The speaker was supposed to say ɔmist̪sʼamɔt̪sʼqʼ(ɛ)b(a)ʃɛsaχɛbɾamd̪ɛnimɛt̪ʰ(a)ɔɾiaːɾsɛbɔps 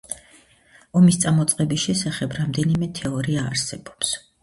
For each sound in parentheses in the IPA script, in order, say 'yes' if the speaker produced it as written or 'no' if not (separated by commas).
yes, no, no